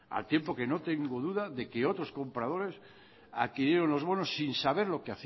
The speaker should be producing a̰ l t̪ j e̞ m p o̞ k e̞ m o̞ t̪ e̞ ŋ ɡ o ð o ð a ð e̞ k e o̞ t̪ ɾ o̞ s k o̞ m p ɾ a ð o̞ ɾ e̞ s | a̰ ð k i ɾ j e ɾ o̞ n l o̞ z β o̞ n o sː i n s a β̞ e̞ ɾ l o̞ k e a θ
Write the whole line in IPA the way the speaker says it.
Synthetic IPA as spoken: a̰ l t̪ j e̞ m p o̞ k e̞ n o̞ t̪ e̞ ŋ ɡ o ð u ð a ð e̞ k e o̞ t̪ ɾ o̞ s k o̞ m p ɾ a ð o̞ ɾ e̞ s | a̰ ð k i ɾ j e ɾ o̞ n l o̞ z β o̞ n o sː i n s a β̞ e̞ ɾ l o̞ k e a θ